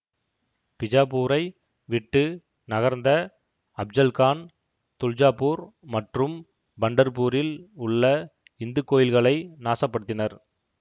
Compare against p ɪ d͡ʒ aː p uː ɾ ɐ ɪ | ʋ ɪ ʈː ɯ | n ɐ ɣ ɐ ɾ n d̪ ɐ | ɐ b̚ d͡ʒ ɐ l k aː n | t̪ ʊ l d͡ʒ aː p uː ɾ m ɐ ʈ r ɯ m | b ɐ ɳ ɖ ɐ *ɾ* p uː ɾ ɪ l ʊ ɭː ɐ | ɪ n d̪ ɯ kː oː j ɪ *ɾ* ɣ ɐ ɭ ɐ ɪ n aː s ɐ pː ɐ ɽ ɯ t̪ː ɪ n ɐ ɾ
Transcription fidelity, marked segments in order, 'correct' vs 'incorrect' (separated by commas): correct, incorrect